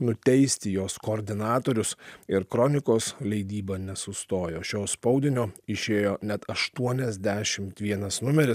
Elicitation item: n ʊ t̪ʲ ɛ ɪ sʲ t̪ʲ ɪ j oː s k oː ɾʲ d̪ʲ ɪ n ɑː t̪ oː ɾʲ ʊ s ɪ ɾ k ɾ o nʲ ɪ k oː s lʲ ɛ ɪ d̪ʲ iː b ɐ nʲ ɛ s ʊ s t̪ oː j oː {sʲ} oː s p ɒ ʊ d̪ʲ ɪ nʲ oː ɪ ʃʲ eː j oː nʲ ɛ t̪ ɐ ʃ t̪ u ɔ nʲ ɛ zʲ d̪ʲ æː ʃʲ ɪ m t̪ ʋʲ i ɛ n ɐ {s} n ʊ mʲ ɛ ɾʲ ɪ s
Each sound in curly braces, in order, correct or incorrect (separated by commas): incorrect, correct